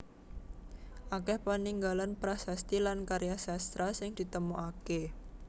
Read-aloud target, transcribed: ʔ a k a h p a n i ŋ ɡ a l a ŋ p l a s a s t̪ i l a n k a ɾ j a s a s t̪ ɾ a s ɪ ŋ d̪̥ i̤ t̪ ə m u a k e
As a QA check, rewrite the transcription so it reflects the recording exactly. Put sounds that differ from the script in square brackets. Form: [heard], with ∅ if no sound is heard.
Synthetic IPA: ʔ a k [ɛ] h p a n i ŋ ɡ a l a [n] p [ɾ] a s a s t̪ i l a n k a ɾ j a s a s t̪ ɾ a s ɪ ŋ d̪̥ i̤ t̪ ə m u a k e